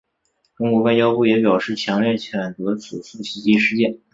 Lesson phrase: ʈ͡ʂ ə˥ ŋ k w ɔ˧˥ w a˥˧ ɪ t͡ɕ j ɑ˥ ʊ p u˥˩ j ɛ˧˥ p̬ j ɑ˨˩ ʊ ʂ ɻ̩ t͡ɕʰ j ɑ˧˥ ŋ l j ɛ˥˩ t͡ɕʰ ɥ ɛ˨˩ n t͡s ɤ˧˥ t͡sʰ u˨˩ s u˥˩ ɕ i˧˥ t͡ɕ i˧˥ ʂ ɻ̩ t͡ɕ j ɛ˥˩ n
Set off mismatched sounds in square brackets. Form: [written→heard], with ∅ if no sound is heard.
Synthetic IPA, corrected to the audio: ʈ͡ʂ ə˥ ŋ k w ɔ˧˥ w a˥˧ ɪ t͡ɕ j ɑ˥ ʊ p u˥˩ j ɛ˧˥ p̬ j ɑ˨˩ ʊ ʂ ɻ̩ t͡ɕʰ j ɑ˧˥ ŋ l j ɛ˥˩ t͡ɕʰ ɥ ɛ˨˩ n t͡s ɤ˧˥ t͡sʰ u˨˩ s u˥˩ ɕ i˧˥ t͡ɕ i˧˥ ʂ ɻ̩ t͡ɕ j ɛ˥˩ n